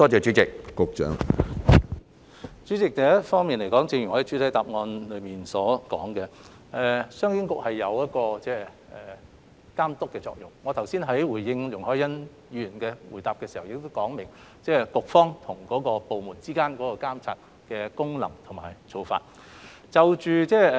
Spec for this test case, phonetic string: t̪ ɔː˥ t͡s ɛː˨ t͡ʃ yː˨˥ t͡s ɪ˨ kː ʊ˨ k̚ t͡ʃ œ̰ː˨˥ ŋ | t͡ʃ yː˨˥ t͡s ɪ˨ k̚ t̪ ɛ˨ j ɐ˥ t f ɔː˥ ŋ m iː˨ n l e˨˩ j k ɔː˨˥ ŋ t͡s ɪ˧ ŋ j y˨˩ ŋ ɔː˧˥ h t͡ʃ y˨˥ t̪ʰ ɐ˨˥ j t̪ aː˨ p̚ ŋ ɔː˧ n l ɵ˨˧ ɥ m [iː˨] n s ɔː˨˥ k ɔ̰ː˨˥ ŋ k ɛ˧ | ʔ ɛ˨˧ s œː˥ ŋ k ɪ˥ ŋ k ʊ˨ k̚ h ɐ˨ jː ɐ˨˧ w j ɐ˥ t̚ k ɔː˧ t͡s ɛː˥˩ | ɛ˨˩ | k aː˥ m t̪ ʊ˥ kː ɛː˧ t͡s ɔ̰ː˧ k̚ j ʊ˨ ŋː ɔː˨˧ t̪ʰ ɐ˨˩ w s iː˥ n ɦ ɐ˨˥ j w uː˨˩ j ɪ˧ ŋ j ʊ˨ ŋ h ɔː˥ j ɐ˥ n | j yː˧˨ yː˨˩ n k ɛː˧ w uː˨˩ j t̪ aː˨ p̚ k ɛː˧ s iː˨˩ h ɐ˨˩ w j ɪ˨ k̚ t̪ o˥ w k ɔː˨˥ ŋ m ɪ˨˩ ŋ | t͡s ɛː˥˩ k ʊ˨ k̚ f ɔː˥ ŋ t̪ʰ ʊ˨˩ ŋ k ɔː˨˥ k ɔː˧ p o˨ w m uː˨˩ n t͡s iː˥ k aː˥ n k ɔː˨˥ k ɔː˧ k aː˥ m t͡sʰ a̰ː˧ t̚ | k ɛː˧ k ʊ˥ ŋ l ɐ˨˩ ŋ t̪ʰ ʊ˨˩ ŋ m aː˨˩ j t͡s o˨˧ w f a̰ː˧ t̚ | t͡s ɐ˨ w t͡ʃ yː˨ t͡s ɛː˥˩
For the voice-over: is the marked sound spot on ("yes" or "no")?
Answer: yes